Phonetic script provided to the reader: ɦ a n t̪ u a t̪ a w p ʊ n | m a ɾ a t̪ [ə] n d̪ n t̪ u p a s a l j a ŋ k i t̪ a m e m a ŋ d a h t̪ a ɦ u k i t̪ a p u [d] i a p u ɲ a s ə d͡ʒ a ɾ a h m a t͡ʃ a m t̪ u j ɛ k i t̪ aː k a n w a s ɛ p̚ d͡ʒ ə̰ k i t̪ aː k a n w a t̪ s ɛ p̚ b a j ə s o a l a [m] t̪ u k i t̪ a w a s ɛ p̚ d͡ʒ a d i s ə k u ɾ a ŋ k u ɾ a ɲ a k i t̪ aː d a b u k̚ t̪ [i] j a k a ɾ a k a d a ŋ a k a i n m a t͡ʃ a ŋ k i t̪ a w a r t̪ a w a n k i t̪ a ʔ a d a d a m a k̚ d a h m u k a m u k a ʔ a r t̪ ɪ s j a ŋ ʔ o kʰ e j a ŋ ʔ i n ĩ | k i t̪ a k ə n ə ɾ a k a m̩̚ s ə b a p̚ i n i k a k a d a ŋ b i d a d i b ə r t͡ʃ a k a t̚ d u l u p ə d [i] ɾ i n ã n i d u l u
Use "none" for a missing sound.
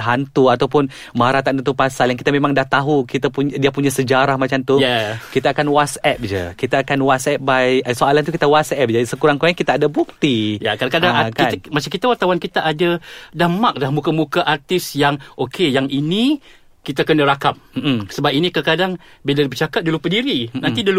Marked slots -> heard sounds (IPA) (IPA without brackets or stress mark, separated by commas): a, d, n, i, i